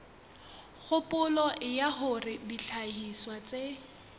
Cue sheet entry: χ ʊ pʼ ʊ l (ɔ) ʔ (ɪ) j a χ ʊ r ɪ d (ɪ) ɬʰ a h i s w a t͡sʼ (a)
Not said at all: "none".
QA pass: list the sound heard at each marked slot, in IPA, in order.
ɔ, ɪ, i, e

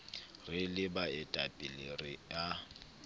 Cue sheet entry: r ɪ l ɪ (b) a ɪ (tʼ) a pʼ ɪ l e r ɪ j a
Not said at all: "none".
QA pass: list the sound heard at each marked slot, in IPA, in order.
b, tʼ

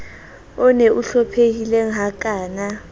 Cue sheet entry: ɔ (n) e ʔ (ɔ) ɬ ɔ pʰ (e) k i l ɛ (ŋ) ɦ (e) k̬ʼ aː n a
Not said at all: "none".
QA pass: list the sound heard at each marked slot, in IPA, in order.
n, u, e, ŋ, a

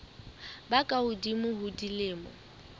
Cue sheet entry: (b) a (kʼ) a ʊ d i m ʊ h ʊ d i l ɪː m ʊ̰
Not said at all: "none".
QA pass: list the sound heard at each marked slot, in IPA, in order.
b, kʼ

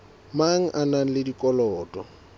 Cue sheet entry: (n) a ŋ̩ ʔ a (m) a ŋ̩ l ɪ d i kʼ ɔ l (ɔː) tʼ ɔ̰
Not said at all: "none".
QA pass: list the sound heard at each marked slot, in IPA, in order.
m, n, ɔː

